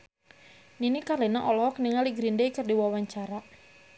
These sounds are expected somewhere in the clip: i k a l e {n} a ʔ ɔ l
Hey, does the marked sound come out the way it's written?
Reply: yes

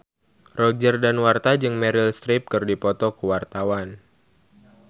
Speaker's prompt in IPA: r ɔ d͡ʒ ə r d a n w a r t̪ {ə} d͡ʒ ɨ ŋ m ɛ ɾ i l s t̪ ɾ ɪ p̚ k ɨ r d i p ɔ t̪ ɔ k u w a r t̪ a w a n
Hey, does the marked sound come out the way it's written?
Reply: no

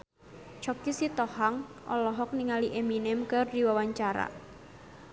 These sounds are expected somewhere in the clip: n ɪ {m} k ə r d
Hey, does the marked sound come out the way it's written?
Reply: yes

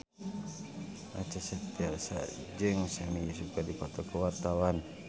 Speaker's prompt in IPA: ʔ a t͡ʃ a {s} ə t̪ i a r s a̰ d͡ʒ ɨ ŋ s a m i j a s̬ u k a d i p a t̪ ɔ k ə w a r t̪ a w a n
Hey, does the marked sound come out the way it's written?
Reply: yes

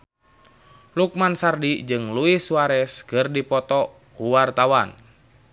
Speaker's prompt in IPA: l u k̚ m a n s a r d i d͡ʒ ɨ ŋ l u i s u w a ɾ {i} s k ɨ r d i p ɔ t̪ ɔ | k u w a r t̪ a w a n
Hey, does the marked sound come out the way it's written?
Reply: no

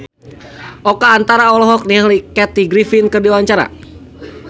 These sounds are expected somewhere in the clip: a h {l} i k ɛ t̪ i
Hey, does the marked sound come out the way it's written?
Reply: yes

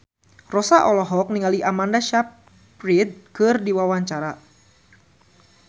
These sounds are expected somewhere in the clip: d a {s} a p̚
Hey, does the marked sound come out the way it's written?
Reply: no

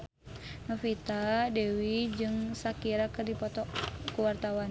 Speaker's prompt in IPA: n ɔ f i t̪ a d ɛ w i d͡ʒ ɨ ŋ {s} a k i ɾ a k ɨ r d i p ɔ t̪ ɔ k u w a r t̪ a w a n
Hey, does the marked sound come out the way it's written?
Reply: yes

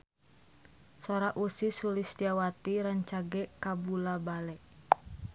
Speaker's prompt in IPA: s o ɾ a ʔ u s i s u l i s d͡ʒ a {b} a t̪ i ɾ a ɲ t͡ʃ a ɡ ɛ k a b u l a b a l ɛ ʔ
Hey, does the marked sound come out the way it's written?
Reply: no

